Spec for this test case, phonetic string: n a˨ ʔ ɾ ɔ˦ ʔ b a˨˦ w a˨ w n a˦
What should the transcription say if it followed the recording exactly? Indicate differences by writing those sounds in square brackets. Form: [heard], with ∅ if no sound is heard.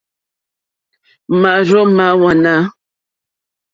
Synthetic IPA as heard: [m] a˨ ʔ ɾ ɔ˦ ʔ [m] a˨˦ w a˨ [∅] n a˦